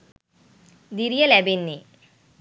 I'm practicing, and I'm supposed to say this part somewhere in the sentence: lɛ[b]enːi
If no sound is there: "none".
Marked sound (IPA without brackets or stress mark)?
b